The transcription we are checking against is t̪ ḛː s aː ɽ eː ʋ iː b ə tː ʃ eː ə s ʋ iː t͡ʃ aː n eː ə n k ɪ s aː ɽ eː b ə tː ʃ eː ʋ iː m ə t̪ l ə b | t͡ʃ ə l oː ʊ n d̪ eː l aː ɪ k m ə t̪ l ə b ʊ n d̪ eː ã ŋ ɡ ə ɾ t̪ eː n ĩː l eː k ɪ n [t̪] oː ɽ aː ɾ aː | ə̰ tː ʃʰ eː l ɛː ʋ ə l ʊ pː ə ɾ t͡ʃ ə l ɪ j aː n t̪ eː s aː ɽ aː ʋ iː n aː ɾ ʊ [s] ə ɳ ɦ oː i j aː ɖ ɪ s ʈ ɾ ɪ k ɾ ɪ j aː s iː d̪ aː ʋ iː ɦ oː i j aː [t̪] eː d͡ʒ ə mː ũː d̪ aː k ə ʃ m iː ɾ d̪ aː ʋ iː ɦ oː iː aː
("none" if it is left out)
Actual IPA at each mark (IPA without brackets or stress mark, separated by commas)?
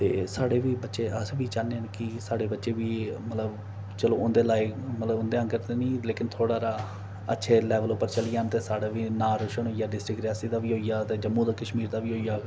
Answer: t̪ʰ, ʃ, t̪